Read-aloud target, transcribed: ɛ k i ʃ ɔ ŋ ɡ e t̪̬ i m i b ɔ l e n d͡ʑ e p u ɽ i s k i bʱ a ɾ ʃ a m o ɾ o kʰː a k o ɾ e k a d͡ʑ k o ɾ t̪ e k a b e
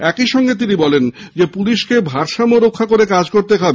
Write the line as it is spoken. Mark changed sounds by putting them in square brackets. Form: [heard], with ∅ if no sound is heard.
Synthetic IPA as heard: ɛ k i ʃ ɔ ŋ ɡ e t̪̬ i [n] i b ɔ l e n d͡ʑ e p u [l] i [ʃ] k [e] bʱ a ɾ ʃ a m o ɾ o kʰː a k o ɾ e k a d͡ʑ k o ɾ t̪ e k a b e